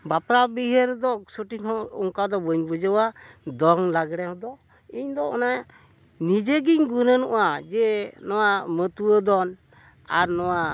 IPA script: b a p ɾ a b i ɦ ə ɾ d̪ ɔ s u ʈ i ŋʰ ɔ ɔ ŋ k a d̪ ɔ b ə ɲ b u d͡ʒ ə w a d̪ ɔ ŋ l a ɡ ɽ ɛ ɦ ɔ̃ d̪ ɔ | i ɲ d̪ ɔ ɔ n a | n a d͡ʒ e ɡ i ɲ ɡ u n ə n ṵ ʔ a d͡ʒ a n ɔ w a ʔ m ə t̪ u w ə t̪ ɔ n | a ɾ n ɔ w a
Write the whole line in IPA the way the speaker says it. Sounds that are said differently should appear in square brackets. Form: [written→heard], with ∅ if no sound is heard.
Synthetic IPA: b a p ɾ a b i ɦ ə ɾ d̪ ɔ s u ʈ i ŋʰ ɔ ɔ ŋ k a d̪ ɔ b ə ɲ b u d͡ʒ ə w a d̪ ɔ ŋ l a ɡ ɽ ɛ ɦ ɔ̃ d̪ ɔ | i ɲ d̪ ɔ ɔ n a | n [a→i] d͡ʒ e ɡ i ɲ ɡ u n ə n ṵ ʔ a d͡ʒ [a→ɛ] n ɔ w a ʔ m ə t̪ u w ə [t̪→d̪] ɔ n | a ɾ n ɔ w a